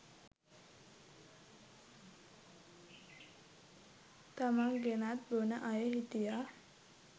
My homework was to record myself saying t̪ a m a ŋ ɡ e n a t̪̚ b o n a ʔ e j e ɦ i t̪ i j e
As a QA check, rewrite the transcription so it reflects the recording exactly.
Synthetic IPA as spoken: t̪ a m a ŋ ɡ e n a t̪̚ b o n a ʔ a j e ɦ i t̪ i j a